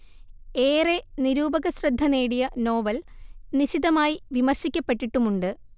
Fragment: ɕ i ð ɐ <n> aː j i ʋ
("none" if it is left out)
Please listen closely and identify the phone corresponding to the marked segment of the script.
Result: m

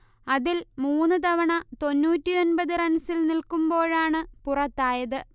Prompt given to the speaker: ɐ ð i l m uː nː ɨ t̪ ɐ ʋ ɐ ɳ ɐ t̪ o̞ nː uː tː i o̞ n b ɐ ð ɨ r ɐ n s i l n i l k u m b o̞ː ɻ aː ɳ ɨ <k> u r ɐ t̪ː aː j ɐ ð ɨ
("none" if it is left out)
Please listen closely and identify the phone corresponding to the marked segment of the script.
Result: p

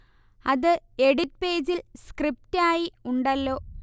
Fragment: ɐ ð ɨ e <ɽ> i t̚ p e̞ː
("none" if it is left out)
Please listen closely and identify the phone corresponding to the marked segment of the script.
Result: ɽ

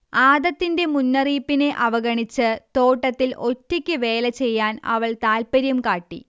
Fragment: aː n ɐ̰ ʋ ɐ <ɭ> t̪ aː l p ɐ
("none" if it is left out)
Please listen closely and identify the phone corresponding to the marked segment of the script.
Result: ɭ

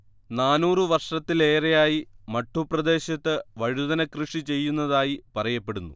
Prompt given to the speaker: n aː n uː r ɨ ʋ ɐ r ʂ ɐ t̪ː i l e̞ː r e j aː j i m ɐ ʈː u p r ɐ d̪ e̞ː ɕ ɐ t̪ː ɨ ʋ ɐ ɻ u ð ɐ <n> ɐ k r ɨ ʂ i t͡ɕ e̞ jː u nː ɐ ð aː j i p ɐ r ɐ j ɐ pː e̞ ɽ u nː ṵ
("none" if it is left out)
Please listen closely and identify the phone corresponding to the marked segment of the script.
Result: n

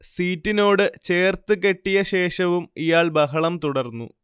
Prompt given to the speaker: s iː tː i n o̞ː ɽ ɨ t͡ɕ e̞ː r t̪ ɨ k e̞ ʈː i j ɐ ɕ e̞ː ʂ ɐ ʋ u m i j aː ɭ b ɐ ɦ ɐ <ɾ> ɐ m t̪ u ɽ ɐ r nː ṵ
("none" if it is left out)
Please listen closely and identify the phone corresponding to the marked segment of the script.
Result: ɭ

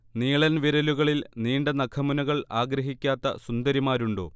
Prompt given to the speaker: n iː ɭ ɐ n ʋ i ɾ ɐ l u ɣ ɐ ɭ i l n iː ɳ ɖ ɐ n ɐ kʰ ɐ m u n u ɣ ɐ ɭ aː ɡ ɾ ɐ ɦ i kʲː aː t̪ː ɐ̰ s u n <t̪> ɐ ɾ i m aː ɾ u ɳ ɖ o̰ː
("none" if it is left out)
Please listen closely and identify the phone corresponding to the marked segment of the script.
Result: d̪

